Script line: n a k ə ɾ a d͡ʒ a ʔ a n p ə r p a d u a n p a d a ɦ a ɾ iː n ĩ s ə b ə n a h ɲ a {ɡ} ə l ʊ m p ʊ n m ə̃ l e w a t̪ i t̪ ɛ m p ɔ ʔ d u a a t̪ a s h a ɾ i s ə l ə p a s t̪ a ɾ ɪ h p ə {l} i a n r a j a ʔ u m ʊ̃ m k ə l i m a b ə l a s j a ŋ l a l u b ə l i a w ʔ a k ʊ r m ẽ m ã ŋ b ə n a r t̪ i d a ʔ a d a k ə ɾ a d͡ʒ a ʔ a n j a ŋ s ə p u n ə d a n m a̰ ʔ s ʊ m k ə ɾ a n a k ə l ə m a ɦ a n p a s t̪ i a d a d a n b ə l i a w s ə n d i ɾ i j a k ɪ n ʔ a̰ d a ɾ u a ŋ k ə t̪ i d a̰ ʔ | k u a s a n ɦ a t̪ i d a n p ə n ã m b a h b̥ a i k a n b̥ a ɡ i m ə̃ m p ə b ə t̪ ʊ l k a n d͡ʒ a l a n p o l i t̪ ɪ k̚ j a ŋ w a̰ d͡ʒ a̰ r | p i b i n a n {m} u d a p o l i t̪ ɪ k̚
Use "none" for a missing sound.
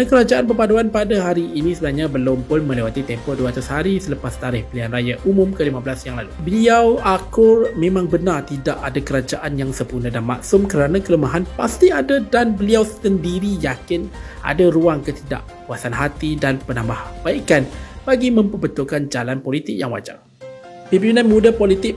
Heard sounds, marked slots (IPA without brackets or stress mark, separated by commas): b, l, m